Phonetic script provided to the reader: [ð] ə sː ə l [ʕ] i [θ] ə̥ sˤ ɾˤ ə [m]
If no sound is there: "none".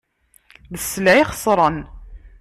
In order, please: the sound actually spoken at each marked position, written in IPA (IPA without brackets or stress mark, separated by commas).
ð, ʕ, χ, n